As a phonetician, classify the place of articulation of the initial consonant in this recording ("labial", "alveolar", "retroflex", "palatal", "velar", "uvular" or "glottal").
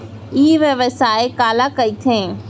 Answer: labial